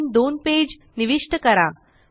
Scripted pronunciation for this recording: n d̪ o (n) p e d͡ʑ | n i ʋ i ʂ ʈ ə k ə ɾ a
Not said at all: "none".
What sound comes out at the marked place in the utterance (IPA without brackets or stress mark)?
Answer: n